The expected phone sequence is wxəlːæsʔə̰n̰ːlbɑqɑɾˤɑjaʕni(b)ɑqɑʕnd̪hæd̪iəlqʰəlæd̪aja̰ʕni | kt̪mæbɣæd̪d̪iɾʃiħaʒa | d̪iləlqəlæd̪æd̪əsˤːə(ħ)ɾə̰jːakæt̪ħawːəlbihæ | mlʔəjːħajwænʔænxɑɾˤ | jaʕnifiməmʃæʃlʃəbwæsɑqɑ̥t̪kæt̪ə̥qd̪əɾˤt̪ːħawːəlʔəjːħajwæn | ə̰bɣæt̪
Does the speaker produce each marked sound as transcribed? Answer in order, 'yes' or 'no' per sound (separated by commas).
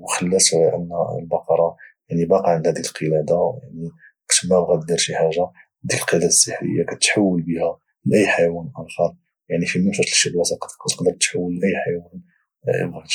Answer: yes, yes